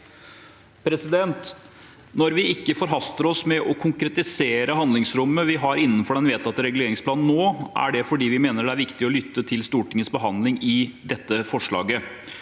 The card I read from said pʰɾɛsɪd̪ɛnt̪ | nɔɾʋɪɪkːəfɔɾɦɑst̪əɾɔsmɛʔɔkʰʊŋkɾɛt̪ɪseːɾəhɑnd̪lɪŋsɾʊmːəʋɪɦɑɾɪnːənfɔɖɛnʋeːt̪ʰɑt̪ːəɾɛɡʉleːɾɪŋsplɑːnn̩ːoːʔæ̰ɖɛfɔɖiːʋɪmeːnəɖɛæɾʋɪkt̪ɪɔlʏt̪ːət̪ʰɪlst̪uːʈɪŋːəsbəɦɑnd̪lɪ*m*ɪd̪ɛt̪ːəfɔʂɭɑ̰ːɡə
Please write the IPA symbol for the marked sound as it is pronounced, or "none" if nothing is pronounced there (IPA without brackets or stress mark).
ŋ